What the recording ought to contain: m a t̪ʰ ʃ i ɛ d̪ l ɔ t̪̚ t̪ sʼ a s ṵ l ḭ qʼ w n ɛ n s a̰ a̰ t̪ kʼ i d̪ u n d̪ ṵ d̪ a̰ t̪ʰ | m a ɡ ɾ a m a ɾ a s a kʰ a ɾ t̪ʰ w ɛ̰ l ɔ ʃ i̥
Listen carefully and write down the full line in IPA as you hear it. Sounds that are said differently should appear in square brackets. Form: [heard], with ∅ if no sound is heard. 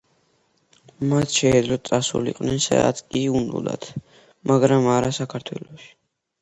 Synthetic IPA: m a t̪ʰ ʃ [ɛ] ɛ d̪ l ɔ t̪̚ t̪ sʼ a s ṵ l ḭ qʼ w n ɛ n s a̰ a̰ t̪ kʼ i [∅] u n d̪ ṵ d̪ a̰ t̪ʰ | m a ɡ ɾ a m a ɾ a s a kʰ a ɾ t̪ʰ w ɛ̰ l ɔ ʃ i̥